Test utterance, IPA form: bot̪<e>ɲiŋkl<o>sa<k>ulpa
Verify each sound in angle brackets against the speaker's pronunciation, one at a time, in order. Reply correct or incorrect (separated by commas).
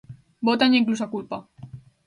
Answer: incorrect, incorrect, correct